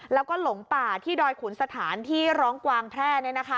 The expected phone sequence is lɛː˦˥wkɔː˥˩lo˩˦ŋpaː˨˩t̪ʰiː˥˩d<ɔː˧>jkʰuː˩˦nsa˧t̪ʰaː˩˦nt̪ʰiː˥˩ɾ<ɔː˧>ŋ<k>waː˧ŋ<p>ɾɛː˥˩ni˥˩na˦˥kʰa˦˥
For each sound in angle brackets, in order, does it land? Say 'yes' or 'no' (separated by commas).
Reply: yes, no, yes, no